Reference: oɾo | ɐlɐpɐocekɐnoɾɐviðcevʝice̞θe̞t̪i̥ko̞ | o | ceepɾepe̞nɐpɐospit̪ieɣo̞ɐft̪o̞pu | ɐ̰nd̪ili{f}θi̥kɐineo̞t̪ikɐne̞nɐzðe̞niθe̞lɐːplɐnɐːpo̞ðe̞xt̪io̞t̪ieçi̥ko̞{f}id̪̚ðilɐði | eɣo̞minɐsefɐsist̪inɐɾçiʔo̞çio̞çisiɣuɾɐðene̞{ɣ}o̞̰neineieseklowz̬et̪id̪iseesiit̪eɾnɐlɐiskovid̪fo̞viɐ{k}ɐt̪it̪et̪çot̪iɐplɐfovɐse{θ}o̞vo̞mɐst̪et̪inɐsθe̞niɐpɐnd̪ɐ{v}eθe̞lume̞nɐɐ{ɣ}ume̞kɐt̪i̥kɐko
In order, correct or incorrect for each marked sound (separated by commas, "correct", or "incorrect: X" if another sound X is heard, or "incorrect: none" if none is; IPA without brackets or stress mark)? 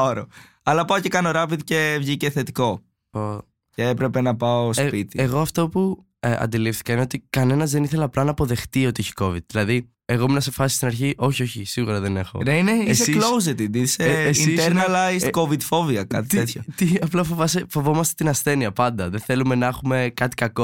correct, incorrect: v, incorrect: x, correct, incorrect: f, incorrect: ð, incorrect: x